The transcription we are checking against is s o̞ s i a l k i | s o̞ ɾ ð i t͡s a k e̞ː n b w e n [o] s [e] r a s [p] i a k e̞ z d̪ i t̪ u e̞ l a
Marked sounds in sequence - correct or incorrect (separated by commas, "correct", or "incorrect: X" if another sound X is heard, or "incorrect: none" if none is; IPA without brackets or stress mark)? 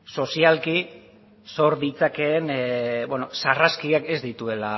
correct, incorrect: a, incorrect: k